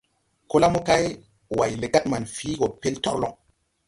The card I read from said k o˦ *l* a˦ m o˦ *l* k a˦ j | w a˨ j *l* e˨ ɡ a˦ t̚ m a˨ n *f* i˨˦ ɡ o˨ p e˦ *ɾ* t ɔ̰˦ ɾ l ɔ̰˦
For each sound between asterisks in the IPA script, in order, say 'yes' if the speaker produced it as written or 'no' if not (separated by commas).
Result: yes, no, yes, yes, no